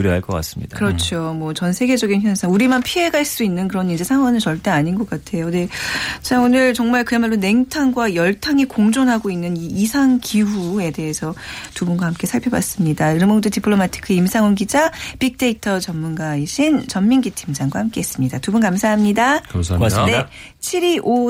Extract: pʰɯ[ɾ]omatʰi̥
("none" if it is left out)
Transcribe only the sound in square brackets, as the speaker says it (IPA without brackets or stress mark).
ɭ